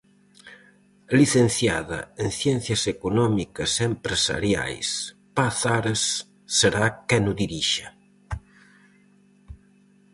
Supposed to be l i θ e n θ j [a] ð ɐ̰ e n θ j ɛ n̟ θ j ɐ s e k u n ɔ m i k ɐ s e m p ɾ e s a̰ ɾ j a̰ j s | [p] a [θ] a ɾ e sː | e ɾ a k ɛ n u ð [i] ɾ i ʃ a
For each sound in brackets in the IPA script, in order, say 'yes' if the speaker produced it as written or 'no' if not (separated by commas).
yes, yes, yes, yes